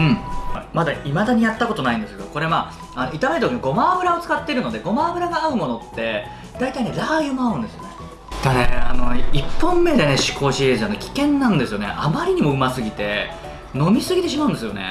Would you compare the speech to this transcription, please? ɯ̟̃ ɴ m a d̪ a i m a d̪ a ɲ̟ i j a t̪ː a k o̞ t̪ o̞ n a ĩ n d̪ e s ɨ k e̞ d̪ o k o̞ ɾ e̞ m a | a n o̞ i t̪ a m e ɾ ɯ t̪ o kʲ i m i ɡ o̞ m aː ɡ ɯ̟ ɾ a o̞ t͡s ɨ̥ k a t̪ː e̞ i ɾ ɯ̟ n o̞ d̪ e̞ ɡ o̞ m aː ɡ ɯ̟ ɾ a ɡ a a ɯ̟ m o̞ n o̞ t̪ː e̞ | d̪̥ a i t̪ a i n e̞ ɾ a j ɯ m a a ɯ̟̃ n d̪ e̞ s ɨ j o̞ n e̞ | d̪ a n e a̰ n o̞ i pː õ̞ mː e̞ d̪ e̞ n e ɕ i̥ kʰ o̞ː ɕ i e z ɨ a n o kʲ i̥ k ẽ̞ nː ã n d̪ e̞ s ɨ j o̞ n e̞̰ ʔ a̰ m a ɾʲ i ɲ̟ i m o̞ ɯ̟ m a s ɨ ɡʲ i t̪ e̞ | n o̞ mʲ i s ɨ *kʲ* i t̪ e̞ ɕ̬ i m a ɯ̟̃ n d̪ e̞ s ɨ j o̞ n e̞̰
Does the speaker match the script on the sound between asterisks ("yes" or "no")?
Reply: no